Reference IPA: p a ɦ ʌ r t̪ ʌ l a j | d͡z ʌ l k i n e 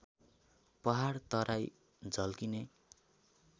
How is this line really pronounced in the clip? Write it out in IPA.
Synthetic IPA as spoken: p ʌ ɦ a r t̪ ʌ ɾ a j | d͡z ʌ l k i n e